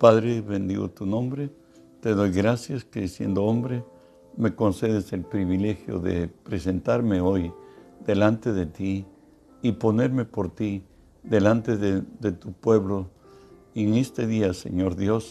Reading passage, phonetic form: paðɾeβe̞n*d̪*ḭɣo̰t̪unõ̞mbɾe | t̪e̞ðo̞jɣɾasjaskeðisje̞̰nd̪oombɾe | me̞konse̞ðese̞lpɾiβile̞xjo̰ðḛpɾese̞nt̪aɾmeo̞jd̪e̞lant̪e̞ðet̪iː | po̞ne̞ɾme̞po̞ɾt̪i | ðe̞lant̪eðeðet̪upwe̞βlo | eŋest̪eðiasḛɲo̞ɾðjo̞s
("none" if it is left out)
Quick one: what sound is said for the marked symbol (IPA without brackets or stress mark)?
d̪